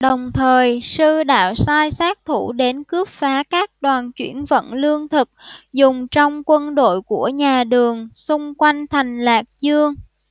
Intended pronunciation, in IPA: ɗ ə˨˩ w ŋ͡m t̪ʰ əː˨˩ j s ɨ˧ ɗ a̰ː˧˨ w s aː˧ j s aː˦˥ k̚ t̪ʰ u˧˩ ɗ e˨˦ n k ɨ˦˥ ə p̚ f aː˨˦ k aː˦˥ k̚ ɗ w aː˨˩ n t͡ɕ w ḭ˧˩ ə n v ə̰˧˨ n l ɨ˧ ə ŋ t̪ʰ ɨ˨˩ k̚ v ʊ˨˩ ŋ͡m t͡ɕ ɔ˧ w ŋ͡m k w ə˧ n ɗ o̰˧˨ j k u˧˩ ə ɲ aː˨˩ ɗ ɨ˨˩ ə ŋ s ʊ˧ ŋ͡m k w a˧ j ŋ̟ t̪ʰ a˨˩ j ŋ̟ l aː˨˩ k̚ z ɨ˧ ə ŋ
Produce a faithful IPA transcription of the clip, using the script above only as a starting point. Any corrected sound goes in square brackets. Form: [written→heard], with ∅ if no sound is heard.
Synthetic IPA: ɗ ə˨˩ w ŋ͡m t̪ʰ əː˨˩ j s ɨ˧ ɗ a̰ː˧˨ w s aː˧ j s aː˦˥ k̚ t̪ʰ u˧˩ ɗ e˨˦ n k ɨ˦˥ ə p̚ f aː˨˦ k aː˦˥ k̚ ɗ w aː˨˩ n t͡ɕ w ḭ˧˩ ə n v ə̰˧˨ n l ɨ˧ ə ŋ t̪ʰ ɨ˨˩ k̚ [v→z] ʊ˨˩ ŋ͡m t͡ɕ ɔ˧ w ŋ͡m k w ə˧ n ɗ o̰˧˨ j k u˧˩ ə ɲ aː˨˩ ɗ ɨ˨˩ ə ŋ s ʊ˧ ŋ͡m k w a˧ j ŋ̟ t̪ʰ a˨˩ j ŋ̟ l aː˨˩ k̚ z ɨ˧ ə ŋ

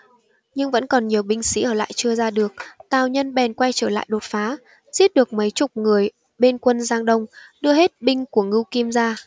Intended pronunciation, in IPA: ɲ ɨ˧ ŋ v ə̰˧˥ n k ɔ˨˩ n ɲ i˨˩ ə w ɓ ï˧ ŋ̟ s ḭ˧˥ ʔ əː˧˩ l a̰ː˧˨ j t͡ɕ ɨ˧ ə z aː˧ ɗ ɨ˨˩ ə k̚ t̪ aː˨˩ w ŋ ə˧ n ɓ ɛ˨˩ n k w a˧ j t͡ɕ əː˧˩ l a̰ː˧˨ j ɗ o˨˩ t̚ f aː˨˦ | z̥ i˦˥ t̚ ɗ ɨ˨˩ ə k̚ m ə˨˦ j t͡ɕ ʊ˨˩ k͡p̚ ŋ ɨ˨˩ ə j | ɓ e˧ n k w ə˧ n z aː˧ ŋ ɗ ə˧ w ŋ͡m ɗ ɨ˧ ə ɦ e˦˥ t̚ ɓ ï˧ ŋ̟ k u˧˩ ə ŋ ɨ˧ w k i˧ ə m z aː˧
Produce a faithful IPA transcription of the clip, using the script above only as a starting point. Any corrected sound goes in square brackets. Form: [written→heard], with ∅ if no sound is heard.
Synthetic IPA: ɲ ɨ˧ ŋ v ə̰˧˥ n k ɔ˨˩ n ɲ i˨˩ ə w ɓ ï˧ ŋ̟ s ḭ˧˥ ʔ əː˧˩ l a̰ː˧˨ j t͡ɕ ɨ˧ ə z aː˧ ɗ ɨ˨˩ ə k̚ t̪ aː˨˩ w [ŋ→ɲ] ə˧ n ɓ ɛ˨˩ n k w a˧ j t͡ɕ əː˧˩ l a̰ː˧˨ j ɗ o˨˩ t̚ f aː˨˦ | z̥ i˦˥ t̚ ɗ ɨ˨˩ ə k̚ m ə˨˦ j t͡ɕ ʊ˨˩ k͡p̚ ŋ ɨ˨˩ ə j | ɓ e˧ n k w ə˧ n z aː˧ ŋ ɗ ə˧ w ŋ͡m ɗ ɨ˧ ə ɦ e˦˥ t̚ ɓ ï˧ ŋ̟ k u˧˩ ə ŋ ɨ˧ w k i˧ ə m z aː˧

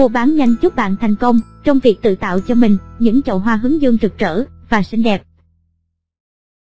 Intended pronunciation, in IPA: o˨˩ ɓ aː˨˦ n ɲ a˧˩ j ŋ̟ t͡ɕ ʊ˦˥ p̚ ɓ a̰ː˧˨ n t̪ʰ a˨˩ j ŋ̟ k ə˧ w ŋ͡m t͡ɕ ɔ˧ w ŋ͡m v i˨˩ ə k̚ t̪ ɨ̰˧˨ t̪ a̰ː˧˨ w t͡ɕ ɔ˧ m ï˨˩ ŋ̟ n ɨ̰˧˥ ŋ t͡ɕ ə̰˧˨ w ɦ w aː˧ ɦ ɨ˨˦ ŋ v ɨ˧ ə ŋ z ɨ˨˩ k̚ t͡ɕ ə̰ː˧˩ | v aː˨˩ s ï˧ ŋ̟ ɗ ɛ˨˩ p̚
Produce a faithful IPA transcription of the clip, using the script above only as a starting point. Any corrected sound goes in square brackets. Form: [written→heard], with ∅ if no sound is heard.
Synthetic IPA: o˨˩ ɓ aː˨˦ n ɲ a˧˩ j ŋ̟ t͡ɕ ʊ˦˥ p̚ ɓ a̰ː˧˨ n t̪ʰ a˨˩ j ŋ̟ k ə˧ w ŋ͡m t͡ɕ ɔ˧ w ŋ͡m v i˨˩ ə k̚ t̪ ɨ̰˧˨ t̪ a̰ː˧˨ w t͡ɕ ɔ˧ m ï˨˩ ŋ̟ [n→ɲ] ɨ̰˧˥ ŋ t͡ɕ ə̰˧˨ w ɦ w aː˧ ɦ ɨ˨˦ ŋ [v→z] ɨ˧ ə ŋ z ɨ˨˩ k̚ t͡ɕ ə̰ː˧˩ | v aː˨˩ s ï˧ ŋ̟ ɗ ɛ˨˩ p̚

